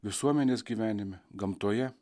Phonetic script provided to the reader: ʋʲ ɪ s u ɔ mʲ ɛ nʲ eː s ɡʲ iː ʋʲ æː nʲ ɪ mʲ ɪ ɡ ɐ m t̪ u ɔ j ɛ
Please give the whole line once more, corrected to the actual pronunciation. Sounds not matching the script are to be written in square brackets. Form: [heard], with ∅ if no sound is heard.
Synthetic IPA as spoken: ʋʲ ɪ s u ɔ mʲ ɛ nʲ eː s ɡʲ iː ʋʲ æː nʲ ɪ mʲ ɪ ɡ ɐ m t̪ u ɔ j ɛ